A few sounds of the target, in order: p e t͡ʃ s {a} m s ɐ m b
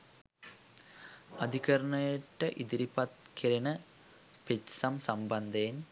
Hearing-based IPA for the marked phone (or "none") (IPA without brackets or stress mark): ɐ